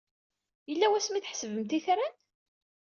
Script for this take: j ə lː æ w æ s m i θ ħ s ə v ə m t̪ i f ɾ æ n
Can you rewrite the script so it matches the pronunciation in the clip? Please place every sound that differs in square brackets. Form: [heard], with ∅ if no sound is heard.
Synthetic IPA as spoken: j ə lː æ w æ s m i θ ħ s ə v ə m t̪ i [θ] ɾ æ n